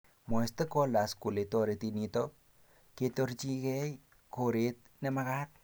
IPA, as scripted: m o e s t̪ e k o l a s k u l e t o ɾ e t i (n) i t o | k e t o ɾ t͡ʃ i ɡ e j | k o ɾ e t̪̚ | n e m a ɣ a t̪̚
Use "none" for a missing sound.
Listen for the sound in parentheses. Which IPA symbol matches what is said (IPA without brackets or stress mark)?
n